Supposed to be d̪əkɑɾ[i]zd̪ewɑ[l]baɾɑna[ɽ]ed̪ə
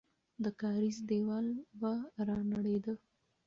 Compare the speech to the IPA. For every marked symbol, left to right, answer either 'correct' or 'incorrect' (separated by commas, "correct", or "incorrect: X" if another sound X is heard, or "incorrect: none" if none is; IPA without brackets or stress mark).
correct, correct, correct